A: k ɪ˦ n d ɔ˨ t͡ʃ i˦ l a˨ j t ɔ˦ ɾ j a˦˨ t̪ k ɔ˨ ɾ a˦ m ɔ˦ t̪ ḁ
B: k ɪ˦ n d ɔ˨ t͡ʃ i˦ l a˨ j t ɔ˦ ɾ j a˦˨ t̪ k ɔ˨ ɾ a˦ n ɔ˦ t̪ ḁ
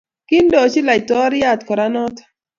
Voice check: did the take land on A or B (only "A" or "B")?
B